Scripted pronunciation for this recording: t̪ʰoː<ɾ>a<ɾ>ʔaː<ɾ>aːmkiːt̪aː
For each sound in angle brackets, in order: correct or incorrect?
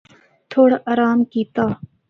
incorrect: ɽ, incorrect: none, correct

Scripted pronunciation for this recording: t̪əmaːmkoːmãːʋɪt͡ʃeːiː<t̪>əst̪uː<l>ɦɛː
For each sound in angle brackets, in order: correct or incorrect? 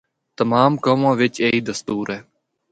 incorrect: d̪, incorrect: ɾ

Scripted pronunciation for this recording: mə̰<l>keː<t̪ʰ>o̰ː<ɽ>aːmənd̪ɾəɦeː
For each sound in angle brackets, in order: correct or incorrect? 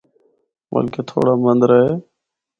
correct, correct, correct

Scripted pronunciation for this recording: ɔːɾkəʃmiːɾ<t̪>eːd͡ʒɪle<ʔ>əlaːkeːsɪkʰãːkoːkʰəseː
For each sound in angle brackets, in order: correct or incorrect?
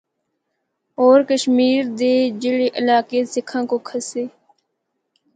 incorrect: d̪, correct

